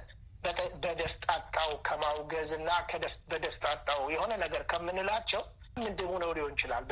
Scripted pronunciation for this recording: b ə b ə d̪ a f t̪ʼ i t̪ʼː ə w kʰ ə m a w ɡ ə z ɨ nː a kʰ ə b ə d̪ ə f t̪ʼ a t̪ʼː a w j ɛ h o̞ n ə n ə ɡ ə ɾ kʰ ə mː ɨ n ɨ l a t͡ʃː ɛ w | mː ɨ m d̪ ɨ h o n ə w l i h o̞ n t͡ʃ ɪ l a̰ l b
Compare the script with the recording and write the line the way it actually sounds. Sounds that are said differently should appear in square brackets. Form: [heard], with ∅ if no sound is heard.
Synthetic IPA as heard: b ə b ə d̪ [ə] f t̪ʼ [a] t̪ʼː [a] w kʰ ə m a w ɡ ə z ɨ nː a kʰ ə b ə d̪ ə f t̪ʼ a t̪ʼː a w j ɛ h o̞ n ə n ə ɡ ə ɾ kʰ ə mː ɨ n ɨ l a t͡ʃː ɛ w | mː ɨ [n] d̪ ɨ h [u] n ə w l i h o̞ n t͡ʃ ɪ l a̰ l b